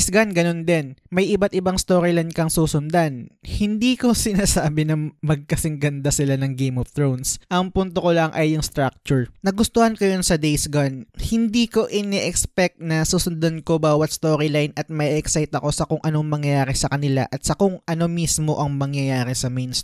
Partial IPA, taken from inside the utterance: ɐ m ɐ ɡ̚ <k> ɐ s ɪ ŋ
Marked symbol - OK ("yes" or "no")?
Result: yes